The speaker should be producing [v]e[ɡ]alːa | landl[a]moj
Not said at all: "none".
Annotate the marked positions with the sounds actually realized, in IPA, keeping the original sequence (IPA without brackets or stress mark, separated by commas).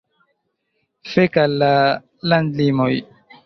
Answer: f, k, i